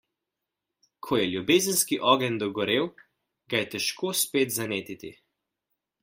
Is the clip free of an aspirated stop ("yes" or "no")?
no